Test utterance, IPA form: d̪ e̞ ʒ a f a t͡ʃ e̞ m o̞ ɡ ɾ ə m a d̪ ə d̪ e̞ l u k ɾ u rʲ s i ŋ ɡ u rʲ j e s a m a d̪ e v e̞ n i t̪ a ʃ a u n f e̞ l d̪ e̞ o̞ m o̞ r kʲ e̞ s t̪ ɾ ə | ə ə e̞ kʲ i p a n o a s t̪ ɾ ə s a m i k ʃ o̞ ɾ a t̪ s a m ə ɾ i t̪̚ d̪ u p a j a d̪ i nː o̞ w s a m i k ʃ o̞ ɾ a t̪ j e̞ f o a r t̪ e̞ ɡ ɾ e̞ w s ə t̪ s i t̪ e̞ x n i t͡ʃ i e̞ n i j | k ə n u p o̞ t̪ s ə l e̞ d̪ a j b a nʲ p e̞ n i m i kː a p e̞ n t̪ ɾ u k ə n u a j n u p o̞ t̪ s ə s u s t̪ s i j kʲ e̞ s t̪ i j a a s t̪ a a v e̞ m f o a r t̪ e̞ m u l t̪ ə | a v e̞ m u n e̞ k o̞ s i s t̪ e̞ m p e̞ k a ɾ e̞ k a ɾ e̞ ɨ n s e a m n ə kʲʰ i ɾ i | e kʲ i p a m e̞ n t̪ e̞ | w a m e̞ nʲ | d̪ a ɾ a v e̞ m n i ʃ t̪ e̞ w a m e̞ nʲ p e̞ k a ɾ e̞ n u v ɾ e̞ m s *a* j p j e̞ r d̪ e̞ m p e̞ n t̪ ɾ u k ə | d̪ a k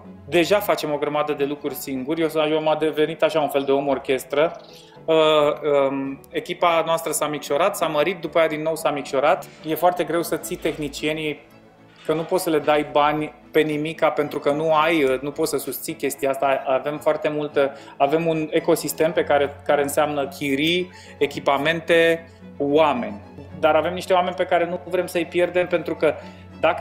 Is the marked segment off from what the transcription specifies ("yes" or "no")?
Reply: yes